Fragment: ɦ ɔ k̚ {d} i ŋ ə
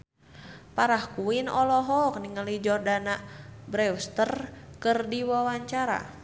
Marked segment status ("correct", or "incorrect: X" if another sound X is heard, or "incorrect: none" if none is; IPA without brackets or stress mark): incorrect: n